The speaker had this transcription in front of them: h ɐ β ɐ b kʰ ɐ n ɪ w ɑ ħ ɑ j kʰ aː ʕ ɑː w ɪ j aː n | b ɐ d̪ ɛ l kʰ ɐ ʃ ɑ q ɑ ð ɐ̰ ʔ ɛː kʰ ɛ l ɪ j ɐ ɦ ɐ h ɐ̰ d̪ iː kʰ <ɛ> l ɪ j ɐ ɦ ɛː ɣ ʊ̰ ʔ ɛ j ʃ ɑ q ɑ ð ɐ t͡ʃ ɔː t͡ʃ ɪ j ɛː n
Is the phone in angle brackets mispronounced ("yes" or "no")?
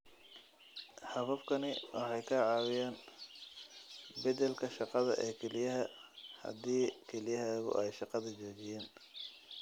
no